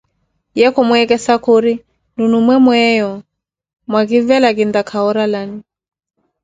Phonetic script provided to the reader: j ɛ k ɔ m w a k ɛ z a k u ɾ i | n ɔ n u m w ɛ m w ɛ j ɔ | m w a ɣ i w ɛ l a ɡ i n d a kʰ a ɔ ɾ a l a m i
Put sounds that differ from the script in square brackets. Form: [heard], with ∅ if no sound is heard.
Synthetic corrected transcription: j ɛ k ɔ m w [ɛ] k ɛ [s] a k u ɾ i | n [u] n u m w ɛ m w ɛ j ɔ | m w a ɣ i [v] ɛ l a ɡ i n d a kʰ a ɔ ɾ a l a [n] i